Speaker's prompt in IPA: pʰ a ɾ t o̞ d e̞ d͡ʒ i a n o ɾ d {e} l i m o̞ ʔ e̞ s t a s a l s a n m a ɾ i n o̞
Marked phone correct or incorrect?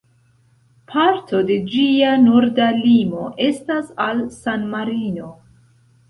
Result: incorrect